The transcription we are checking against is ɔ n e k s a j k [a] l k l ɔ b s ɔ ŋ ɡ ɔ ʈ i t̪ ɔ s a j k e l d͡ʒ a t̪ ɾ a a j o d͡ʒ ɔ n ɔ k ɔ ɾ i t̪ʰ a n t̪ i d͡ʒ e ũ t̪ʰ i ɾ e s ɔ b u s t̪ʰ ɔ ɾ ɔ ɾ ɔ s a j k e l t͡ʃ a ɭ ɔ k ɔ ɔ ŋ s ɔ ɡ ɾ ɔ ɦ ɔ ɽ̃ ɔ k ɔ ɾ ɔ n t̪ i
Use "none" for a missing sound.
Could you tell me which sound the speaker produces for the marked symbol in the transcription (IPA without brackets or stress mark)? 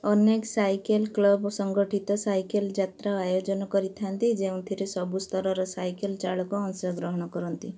e